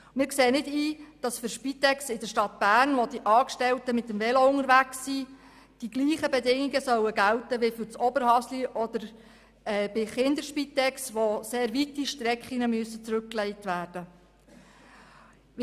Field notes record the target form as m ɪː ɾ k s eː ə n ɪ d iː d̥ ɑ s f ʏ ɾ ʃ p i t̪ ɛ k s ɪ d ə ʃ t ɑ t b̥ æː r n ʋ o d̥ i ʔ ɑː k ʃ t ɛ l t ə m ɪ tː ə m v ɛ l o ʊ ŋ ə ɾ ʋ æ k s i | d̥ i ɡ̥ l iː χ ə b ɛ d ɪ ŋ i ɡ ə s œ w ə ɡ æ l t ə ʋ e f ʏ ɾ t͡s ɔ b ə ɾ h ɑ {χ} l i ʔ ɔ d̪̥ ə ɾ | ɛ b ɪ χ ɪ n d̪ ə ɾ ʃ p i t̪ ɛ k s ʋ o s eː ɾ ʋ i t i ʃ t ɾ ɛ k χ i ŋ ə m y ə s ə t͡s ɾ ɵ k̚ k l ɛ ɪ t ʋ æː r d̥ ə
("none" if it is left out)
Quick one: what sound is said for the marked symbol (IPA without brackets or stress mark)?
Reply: s